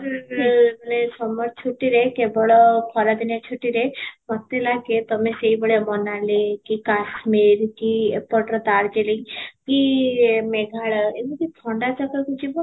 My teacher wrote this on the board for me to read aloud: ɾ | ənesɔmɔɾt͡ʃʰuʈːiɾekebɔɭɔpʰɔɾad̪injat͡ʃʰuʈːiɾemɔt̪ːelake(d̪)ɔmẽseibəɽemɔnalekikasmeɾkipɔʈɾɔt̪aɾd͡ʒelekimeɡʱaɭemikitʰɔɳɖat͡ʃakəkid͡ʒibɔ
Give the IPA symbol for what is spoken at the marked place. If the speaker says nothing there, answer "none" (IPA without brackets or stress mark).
t̪